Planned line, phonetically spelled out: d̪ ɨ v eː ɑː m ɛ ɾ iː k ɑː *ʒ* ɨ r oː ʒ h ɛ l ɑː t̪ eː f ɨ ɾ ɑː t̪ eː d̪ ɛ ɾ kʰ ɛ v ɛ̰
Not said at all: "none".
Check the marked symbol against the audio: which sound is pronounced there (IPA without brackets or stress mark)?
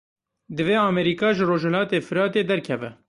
ʒ